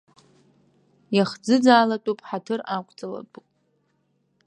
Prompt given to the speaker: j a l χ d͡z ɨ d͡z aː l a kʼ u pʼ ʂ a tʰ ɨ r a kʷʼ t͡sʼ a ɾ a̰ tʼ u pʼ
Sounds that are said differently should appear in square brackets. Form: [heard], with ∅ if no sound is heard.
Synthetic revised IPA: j a [∅] χ d͡z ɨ d͡z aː l a [tʼ] u pʼ [ħ] a tʰ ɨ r a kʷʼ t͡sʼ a [l] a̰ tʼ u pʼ